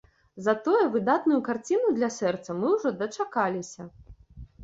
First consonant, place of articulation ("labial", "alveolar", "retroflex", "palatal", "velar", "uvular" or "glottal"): alveolar